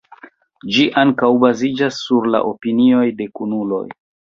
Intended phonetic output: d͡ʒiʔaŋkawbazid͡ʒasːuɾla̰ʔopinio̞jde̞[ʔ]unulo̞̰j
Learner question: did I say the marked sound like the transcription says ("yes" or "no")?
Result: no